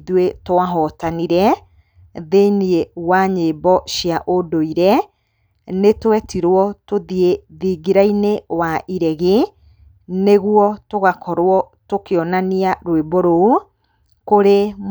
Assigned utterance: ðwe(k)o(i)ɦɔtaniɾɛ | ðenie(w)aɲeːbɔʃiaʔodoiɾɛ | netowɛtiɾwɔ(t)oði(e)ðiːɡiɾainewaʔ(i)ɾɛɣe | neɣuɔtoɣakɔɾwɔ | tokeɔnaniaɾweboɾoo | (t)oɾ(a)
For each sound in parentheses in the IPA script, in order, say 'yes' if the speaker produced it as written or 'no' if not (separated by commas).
no, no, yes, yes, yes, yes, no, no